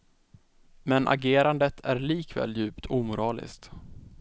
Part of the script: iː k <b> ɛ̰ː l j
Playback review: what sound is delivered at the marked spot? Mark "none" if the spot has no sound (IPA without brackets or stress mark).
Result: v